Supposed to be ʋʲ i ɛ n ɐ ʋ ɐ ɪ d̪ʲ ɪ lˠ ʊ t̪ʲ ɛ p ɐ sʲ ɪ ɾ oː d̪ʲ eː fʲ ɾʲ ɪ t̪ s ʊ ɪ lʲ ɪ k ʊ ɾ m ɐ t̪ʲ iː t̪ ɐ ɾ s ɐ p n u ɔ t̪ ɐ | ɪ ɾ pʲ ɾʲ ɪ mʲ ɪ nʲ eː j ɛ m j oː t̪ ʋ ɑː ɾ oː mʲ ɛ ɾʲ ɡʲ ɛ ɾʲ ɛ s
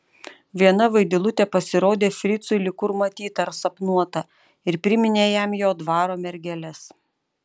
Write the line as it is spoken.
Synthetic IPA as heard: ʋʲ i ɛ n ɐ ʋ ɐ ɪ d̪ʲ ɪ lˠ ʊ t̪ʲ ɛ p ɐ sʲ ɪ ɾ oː d̪ʲ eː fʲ ɾʲ ɪ t̪ s ʊ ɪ lʲ ɪ k ʊ ɾ m ɐ t̪ʲ iː t̪ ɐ ɾ s ɐ p n u ɔ t̪ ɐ | ɪ ɾ pʲ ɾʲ ɪ mʲ ɪ nʲ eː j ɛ m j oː d̪ ʋ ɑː ɾ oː mʲ ɛ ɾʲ ɡʲ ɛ lʲ ɛ s